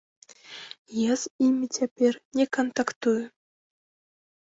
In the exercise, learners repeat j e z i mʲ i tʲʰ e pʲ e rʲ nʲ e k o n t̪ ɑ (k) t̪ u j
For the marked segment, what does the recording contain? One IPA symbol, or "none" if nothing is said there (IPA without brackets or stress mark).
k